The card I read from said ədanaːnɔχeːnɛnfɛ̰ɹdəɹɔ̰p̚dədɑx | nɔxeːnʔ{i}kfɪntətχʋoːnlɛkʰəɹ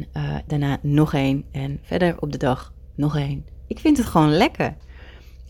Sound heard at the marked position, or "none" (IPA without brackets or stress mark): ɪ